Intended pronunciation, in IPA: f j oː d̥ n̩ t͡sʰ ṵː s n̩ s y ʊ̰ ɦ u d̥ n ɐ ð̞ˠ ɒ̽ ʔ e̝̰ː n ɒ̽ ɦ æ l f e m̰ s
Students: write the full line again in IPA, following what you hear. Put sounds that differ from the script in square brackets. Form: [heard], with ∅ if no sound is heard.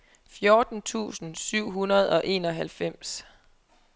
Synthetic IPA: f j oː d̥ n̩ t͡sʰ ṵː s n̩ s y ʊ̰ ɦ u [∅] n ɐ ð̞ˠ ɒ̽ ʔ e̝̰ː n ɒ̽ ɦ æ l f e m̰ s

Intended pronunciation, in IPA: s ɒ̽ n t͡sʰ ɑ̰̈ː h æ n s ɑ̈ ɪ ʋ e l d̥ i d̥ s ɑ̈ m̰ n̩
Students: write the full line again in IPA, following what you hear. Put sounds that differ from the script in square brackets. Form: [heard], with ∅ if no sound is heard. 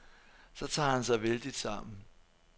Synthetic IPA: s ɒ̽ [∅] t͡sʰ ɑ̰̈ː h æ n s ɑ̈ ɪ ʋ e l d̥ i d̥ s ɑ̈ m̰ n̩

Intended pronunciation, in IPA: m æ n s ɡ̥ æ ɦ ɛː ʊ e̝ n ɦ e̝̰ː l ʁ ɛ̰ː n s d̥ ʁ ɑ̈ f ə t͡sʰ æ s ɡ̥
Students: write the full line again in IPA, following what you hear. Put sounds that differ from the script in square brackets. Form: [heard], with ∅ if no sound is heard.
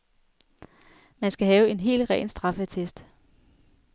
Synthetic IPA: m æ n s ɡ̥ æ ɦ ɛː ʊ e̝ n ɦ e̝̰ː l ʁ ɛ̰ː n s d̥ ʁ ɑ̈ f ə t͡sʰ [e] s [d̥]

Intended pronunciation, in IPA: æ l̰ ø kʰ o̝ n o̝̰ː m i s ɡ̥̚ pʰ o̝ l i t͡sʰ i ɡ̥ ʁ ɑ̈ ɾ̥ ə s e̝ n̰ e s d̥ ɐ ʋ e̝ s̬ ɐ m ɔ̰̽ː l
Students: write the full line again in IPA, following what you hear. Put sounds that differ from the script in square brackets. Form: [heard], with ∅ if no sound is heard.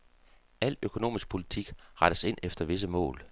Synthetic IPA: æ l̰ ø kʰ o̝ n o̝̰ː m i s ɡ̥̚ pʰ o̝ l i t͡sʰ i ɡ̥ ʁ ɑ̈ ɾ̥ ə s e̝ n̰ e [f] d̥ ɐ ʋ e̝ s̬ [ə] m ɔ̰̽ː l

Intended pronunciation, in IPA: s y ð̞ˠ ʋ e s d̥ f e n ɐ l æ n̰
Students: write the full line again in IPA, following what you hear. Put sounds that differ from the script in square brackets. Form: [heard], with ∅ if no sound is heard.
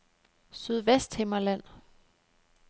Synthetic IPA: s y ð̞ˠ ʋ e s d̥ [h] e [m] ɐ l æ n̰

